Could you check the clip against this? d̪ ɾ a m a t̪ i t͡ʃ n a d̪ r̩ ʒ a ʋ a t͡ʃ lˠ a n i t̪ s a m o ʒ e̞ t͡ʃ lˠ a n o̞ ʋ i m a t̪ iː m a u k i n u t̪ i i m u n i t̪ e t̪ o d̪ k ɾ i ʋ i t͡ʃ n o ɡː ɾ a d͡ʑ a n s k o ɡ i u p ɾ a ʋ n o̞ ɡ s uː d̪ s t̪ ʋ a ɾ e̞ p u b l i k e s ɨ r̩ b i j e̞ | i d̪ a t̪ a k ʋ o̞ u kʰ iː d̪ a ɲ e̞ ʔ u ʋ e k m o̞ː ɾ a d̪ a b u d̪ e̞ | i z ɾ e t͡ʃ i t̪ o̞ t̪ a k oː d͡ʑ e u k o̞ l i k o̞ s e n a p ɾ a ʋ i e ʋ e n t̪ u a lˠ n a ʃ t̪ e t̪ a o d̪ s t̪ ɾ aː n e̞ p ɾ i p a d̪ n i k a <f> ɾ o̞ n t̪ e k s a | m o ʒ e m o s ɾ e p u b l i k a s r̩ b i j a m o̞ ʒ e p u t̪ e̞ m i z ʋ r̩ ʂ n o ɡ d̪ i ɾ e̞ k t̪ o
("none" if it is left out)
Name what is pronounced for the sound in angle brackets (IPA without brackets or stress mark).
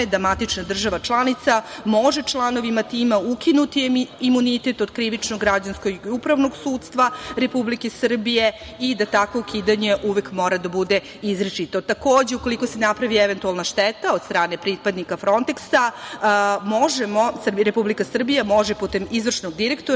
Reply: f